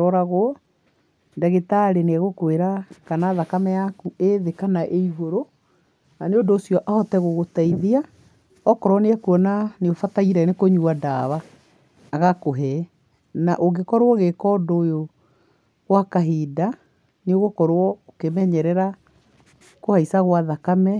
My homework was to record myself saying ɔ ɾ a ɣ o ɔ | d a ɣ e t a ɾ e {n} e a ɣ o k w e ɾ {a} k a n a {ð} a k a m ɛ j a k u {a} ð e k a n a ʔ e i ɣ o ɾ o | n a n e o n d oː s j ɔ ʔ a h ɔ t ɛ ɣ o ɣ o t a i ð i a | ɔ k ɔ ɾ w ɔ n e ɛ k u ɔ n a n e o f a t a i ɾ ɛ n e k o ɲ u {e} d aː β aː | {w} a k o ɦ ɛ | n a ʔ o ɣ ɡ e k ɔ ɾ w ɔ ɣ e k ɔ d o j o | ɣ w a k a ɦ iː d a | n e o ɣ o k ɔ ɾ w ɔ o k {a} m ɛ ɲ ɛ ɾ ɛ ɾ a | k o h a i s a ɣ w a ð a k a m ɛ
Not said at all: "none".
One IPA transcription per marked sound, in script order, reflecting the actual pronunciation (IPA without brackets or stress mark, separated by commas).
n, a, ð, e, a, ɣ, e